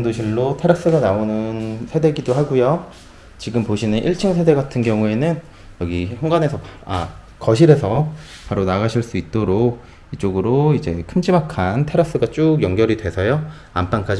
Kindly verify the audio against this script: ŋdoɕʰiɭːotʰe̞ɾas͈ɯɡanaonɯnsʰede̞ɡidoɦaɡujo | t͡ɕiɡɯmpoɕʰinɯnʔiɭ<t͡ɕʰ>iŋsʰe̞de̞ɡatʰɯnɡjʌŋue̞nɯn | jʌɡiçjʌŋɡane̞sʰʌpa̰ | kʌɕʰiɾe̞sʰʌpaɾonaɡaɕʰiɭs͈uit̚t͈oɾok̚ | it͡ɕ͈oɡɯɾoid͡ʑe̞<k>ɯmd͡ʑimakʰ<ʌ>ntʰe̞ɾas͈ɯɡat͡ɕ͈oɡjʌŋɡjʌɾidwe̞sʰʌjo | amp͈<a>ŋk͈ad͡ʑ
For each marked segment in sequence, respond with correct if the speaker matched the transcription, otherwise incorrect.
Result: correct, incorrect: kʰ, incorrect: a, correct

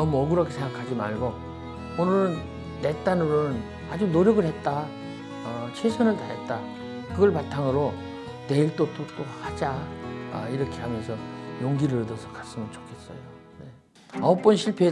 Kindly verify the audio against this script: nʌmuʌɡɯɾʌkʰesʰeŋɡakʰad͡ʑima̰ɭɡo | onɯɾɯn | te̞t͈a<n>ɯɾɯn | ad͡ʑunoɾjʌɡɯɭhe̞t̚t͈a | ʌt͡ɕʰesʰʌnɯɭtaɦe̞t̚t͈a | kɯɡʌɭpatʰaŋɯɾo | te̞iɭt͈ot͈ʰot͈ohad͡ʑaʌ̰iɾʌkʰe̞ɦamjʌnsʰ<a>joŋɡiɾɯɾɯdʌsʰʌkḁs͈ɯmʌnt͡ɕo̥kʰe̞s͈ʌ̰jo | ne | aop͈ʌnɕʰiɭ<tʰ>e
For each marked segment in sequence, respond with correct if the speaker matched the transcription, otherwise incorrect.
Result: correct, incorrect: ʌ, incorrect: pʰ

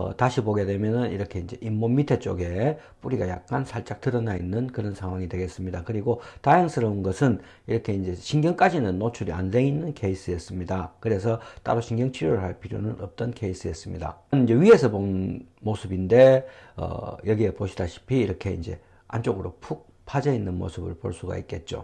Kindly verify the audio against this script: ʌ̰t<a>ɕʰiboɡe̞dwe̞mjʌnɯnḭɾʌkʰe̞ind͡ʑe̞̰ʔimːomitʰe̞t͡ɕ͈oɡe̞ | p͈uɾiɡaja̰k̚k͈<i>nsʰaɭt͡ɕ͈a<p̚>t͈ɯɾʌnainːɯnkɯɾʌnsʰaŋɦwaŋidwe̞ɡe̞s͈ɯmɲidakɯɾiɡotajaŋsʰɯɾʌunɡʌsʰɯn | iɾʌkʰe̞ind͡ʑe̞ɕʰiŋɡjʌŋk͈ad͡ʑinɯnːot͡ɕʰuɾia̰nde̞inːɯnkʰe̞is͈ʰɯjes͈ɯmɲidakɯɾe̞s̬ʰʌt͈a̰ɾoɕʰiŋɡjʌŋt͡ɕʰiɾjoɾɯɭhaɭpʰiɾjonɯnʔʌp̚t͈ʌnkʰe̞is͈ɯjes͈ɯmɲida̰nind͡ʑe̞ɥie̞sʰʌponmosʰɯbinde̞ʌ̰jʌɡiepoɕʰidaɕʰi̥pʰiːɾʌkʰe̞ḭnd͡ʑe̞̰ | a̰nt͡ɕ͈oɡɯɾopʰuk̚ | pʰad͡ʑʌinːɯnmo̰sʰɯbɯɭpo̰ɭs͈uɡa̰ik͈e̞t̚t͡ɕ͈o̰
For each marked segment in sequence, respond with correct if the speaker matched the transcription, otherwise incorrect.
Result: correct, incorrect: a, incorrect: k̚

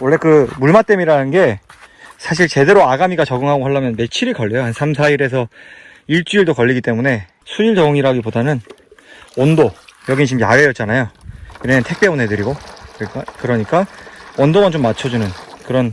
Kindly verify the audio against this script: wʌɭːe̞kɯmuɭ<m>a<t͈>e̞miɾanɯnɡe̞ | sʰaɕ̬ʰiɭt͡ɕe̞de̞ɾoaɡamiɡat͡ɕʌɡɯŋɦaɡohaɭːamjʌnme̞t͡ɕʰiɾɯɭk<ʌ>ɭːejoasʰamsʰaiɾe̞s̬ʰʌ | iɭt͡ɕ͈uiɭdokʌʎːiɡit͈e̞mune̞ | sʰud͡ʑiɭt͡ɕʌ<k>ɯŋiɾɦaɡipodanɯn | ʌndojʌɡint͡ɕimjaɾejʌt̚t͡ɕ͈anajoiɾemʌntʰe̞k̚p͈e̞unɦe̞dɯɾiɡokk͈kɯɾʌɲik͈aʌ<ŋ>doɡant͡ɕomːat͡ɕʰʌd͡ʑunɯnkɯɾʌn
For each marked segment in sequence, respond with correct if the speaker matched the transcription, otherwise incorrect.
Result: correct, correct, correct, incorrect: ɡ, incorrect: n

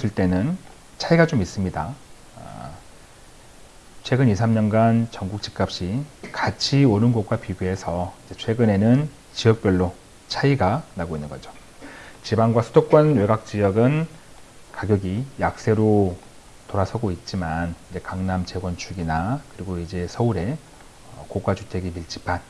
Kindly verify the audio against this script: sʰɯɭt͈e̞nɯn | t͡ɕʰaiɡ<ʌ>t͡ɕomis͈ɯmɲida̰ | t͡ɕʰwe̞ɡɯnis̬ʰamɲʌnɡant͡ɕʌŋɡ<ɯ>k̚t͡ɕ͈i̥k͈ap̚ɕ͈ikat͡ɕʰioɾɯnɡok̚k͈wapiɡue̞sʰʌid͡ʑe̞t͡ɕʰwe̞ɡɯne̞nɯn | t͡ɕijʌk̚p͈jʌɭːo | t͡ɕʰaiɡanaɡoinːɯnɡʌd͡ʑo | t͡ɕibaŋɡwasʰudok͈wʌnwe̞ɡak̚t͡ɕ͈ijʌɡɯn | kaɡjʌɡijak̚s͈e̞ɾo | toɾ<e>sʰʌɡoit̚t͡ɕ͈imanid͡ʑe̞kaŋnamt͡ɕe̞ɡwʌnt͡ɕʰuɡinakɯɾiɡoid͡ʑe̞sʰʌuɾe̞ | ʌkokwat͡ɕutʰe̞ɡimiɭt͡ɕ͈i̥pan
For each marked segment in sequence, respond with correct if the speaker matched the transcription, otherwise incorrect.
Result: incorrect: a, incorrect: u, incorrect: a

